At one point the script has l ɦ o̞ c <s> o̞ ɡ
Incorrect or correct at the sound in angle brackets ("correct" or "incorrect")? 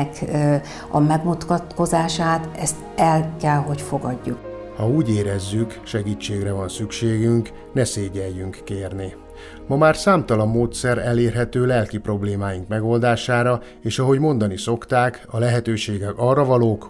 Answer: incorrect